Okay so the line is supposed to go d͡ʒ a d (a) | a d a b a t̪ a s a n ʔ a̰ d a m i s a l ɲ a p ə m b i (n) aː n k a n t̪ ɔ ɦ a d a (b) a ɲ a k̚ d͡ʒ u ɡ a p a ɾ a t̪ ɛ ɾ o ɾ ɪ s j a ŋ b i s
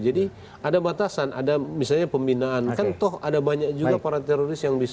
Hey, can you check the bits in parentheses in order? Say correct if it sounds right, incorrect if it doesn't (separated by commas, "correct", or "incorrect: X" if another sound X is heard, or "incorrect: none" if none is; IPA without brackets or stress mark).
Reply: incorrect: i, correct, correct